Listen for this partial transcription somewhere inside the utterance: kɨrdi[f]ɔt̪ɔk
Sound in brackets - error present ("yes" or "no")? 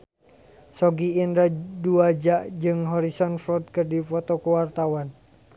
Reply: no